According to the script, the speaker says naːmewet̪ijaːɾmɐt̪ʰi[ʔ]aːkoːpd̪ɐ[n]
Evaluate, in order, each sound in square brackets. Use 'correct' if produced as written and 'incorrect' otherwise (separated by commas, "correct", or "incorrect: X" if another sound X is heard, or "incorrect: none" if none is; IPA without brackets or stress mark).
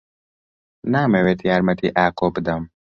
correct, incorrect: m